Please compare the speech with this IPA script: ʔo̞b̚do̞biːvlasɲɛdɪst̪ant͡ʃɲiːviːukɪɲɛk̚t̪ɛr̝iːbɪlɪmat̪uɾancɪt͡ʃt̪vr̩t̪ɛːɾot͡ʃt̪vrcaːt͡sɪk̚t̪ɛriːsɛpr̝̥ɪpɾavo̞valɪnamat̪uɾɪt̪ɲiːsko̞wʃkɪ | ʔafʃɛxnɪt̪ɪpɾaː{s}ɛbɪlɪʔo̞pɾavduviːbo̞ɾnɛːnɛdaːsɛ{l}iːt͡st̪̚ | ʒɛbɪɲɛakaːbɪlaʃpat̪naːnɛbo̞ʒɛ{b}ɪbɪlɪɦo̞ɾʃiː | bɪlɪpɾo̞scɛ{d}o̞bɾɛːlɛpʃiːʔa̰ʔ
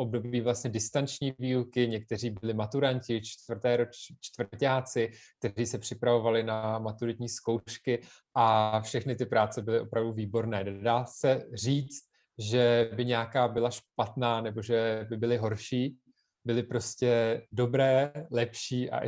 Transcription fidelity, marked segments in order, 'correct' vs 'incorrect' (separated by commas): incorrect, incorrect, correct, correct